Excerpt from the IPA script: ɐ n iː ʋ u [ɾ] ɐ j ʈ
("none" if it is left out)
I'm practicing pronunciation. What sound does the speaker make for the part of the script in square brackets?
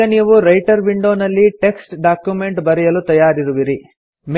ɾ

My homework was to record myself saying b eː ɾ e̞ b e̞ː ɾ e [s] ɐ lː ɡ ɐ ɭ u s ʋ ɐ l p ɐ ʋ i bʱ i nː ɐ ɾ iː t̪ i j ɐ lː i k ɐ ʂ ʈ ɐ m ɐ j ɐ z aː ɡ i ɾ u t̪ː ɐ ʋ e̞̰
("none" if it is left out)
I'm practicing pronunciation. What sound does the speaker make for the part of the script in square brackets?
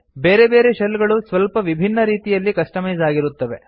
ʃ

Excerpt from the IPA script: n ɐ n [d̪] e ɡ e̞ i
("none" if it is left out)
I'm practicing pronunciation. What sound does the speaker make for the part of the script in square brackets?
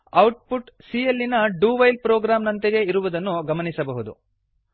t̪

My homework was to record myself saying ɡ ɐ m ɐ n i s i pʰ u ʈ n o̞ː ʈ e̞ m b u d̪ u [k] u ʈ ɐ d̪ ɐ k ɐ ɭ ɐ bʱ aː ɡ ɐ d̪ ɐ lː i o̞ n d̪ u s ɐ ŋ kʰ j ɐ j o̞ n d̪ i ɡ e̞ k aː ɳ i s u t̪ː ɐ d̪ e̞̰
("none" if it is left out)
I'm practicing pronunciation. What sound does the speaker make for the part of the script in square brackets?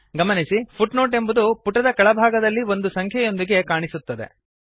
p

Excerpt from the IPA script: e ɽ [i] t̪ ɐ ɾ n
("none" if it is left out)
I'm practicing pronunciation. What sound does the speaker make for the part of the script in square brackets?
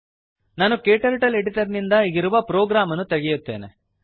i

